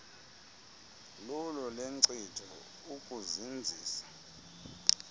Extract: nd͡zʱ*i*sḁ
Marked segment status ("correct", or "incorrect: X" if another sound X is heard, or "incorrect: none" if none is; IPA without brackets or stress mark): incorrect: iː